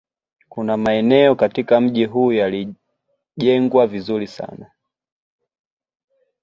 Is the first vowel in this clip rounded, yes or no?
yes